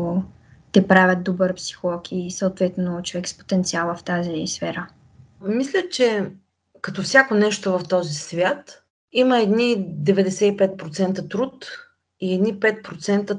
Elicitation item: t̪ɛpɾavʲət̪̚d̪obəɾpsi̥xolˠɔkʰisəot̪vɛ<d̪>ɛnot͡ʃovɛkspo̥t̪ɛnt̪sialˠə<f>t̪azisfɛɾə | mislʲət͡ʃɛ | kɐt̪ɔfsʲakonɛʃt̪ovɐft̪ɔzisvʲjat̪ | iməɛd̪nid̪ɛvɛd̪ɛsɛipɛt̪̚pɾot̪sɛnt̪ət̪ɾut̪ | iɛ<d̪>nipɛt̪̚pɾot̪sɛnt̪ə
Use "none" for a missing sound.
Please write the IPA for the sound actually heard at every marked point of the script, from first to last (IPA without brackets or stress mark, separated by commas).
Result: t̪, f, d̪